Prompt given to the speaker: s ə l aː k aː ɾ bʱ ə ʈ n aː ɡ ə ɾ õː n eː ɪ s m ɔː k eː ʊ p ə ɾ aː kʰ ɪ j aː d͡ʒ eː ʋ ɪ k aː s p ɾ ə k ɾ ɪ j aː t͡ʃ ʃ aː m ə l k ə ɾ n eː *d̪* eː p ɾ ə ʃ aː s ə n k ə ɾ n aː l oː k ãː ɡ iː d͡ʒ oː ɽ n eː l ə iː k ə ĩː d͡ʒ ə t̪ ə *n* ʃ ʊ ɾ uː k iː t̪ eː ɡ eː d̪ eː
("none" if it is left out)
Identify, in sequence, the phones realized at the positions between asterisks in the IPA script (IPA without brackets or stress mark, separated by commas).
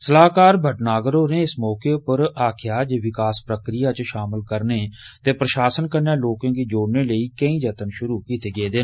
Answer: t̪, n